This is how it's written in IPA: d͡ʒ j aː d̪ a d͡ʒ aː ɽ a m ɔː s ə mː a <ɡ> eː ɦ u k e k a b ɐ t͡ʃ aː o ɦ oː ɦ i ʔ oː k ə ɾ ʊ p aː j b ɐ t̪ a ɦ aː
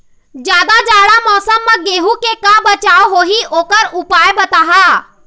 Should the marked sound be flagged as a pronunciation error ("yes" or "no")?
no